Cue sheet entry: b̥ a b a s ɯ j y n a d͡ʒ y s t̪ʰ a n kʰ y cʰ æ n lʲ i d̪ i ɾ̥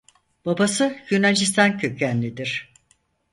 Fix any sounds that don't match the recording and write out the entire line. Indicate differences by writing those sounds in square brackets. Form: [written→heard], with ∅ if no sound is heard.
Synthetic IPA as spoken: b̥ a b a s ɯ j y n a d͡ʒ [y→i] s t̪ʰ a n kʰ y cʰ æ n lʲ i d̪ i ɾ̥